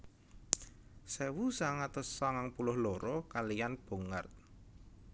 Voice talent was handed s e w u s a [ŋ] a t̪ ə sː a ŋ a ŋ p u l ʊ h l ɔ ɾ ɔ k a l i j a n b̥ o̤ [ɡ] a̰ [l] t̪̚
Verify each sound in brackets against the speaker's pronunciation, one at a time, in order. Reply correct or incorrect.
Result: correct, incorrect: ŋ, incorrect: r

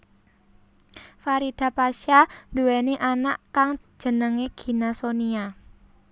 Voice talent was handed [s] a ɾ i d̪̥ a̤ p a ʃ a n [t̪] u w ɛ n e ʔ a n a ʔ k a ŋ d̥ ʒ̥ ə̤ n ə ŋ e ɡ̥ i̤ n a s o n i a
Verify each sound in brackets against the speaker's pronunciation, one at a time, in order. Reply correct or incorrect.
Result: incorrect: f, incorrect: d̪

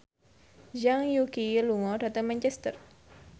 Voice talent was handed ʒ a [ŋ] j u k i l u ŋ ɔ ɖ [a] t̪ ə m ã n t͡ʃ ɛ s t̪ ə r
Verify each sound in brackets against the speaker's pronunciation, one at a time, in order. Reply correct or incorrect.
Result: correct, correct

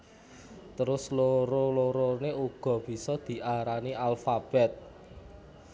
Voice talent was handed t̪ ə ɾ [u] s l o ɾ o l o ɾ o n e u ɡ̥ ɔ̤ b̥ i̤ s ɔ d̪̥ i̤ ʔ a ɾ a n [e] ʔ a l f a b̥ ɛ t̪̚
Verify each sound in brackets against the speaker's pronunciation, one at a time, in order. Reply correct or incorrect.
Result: incorrect: ʊ, incorrect: i

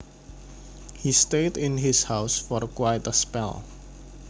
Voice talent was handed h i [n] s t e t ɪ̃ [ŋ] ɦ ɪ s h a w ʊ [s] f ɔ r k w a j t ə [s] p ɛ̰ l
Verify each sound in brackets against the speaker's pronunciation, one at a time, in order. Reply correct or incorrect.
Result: incorrect: none, incorrect: n, correct, correct

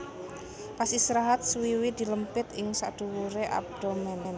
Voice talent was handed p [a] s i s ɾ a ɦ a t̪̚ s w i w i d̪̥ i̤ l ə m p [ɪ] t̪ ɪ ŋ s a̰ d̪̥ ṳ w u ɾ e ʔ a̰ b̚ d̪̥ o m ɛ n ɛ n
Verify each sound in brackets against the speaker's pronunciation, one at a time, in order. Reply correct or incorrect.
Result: correct, correct

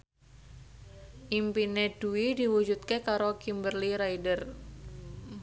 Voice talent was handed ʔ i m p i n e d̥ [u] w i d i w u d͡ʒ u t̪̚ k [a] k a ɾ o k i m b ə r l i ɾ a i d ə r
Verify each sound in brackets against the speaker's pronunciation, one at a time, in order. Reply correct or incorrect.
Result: correct, incorrect: e

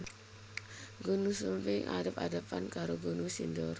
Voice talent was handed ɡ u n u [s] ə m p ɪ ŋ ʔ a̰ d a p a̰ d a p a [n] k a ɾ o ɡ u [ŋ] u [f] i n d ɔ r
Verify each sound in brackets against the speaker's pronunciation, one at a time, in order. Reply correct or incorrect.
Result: correct, correct, incorrect: n, incorrect: s

